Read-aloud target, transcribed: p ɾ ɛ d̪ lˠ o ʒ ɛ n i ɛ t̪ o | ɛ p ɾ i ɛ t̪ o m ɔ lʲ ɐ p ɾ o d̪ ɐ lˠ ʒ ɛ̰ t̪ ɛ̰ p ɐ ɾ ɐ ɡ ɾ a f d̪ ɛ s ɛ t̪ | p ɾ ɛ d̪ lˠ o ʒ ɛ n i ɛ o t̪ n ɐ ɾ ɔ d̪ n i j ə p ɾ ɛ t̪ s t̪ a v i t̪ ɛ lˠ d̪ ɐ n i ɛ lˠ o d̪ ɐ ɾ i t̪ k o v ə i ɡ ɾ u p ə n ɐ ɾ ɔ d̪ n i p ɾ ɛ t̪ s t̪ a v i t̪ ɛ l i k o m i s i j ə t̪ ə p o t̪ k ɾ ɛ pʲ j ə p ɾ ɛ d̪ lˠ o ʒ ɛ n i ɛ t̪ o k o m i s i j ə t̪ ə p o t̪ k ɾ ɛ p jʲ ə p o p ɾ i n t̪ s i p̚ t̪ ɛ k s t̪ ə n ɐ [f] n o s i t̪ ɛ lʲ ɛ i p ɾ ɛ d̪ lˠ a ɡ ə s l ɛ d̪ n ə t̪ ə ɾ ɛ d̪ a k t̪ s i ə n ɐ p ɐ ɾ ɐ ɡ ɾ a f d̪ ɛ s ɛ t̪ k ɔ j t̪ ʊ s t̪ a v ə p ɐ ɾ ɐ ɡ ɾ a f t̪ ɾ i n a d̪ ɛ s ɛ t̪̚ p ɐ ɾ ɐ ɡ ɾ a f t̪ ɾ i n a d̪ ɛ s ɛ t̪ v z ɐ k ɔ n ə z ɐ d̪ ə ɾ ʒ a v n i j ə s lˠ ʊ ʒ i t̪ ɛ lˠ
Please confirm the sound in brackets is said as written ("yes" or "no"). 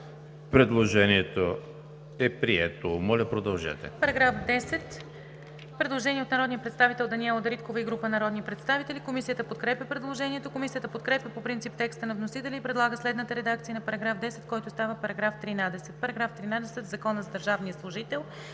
no